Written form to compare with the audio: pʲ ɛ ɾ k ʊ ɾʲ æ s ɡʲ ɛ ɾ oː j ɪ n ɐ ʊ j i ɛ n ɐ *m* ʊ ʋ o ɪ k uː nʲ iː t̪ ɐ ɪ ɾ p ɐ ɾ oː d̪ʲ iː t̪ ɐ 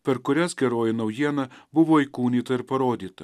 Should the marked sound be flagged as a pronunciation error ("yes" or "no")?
yes